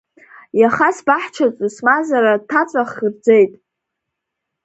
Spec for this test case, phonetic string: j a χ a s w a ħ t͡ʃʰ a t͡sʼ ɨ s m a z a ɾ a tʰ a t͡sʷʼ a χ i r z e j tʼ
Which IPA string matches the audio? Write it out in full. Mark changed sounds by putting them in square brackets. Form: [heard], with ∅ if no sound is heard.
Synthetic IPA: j a χ a s [b] a ħ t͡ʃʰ a t͡sʼ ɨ s m a z a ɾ a tʰ a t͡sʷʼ a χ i r [d͡z] e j tʼ